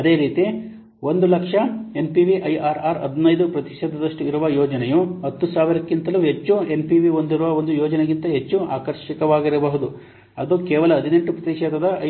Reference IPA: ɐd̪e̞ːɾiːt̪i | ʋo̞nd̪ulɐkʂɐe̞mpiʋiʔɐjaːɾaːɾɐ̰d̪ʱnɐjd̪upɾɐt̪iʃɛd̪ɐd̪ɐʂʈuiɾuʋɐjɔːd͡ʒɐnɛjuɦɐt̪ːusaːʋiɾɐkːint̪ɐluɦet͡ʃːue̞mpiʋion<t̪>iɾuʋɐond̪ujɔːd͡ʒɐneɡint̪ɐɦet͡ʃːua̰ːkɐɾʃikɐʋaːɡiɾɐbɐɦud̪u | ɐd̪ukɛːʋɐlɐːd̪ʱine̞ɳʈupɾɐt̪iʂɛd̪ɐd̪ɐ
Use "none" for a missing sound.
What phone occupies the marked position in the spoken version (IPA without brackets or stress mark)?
d̪